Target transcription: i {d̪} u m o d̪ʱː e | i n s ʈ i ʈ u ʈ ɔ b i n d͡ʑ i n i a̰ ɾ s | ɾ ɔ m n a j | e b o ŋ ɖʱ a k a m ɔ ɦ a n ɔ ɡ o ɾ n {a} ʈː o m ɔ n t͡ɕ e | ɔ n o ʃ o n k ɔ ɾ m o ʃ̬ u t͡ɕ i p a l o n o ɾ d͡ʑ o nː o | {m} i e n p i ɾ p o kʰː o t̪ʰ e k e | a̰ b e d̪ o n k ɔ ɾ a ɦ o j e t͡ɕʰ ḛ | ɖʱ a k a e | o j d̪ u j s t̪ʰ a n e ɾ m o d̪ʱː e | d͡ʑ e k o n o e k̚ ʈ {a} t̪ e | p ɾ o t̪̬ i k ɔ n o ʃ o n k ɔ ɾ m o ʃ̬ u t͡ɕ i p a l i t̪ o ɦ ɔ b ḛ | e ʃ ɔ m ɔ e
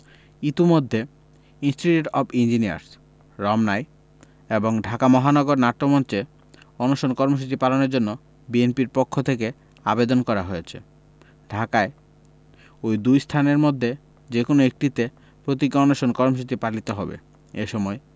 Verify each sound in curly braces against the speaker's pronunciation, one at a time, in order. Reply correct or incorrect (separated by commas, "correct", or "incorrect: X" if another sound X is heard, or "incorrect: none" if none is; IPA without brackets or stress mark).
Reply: incorrect: t̪, correct, incorrect: b, incorrect: i